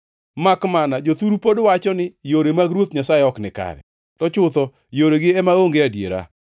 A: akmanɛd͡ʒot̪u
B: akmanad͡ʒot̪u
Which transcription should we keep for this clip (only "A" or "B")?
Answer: B